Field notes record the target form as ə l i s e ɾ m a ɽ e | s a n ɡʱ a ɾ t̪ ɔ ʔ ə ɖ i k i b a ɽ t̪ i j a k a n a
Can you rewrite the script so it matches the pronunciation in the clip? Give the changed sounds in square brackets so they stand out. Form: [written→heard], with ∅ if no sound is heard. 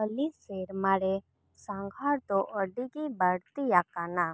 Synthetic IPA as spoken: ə l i s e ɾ m a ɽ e | s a [n→ŋ] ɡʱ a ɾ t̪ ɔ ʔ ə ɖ i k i b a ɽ t̪ i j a k a n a